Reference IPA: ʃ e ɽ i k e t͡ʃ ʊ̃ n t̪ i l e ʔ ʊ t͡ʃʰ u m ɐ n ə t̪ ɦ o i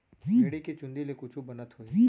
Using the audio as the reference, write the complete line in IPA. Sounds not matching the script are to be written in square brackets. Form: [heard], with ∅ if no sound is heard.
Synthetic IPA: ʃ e ɽ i k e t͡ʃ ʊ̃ n [d̪] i l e [k] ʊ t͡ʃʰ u [b] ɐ n ə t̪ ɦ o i